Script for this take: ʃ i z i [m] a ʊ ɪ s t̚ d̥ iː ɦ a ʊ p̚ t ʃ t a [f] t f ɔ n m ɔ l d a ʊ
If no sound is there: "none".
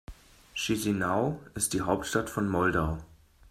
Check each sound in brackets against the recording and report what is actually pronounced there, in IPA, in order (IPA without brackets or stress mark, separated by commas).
n, none